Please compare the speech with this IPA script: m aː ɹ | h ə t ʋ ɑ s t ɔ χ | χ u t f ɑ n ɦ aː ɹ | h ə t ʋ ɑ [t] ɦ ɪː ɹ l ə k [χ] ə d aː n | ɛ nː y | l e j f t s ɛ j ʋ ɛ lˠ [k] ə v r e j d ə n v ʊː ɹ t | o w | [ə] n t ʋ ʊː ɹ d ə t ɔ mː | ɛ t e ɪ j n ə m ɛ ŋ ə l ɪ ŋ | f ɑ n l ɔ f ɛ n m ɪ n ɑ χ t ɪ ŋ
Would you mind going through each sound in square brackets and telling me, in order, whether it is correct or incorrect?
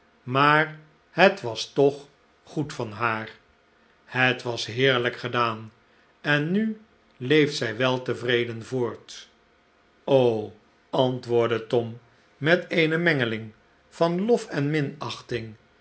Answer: incorrect, correct, incorrect, incorrect

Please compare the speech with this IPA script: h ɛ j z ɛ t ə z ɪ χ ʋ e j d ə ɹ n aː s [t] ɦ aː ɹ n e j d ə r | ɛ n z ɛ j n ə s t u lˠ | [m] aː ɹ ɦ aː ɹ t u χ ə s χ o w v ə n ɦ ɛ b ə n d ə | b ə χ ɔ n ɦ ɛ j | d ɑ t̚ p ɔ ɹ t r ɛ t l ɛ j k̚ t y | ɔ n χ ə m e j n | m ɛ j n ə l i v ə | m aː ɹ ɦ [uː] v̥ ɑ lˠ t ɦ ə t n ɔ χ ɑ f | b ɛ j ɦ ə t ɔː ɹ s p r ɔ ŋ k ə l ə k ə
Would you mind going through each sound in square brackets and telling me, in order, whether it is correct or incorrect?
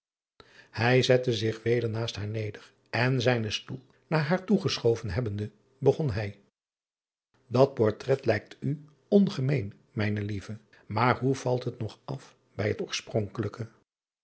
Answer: correct, incorrect, incorrect

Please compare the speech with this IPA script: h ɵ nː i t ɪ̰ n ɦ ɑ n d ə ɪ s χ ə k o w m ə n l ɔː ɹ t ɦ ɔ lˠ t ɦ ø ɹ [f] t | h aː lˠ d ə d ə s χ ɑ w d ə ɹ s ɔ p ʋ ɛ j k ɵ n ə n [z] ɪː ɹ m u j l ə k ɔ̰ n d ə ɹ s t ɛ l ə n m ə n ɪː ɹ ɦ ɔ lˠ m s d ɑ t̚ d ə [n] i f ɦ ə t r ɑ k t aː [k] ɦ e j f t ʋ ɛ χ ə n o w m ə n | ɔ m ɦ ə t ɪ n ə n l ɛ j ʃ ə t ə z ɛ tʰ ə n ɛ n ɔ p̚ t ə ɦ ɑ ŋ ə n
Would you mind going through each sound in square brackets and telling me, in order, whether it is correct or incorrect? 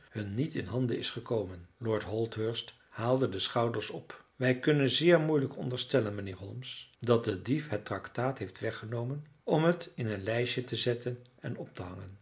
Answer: incorrect, correct, incorrect, incorrect

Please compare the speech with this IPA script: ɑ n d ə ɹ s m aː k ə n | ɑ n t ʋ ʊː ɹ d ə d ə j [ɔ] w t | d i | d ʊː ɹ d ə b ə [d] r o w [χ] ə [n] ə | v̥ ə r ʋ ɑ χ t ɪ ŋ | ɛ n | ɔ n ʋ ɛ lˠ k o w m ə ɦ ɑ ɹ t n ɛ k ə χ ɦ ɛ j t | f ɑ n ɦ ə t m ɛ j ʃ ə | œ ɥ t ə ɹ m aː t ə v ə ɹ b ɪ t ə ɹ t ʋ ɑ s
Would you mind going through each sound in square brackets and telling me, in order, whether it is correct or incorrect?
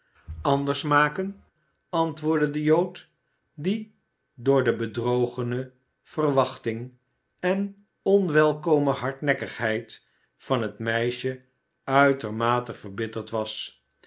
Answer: incorrect, correct, correct, correct

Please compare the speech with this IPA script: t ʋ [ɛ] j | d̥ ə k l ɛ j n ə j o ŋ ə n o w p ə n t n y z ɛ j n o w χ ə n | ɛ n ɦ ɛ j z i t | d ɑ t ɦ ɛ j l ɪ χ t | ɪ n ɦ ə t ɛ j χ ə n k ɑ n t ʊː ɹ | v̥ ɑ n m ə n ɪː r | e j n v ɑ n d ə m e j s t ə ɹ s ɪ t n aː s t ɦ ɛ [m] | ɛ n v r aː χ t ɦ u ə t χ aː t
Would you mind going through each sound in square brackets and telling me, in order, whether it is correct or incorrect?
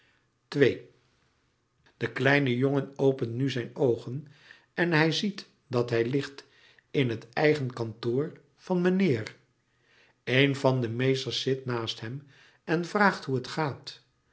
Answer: incorrect, correct

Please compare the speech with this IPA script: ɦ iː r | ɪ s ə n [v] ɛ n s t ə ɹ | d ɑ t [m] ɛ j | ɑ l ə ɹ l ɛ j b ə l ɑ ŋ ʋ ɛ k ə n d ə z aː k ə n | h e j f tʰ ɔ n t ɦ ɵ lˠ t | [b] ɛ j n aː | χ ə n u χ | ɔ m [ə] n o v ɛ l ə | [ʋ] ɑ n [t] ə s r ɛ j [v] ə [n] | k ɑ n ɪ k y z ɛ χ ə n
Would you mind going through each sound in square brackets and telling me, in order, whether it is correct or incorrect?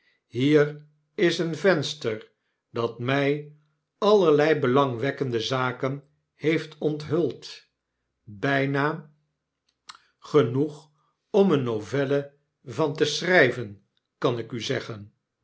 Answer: correct, correct, correct, correct, incorrect, correct, correct, correct

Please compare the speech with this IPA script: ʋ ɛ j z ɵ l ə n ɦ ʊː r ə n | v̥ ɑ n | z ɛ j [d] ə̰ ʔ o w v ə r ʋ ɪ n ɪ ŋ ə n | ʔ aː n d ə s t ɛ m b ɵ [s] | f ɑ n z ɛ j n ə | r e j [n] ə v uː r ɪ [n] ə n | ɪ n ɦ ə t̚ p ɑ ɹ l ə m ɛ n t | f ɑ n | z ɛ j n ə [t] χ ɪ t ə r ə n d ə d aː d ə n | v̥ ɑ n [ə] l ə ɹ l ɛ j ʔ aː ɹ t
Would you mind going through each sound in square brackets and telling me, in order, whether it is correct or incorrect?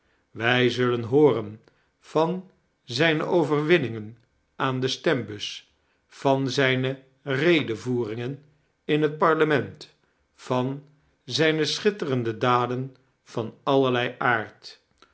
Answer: incorrect, correct, incorrect, incorrect, incorrect, incorrect

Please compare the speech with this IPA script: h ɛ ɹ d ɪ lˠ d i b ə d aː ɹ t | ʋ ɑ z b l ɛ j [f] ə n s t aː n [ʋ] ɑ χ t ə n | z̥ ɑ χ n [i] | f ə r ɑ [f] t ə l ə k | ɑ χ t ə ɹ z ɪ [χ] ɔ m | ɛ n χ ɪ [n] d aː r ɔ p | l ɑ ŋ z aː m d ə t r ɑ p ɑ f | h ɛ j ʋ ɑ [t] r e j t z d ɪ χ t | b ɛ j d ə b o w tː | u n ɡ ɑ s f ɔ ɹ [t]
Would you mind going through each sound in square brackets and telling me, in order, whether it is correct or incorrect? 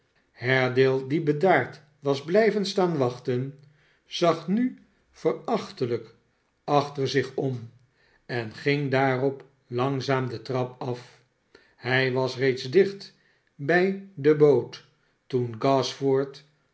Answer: incorrect, correct, incorrect, incorrect, correct, incorrect, incorrect, correct

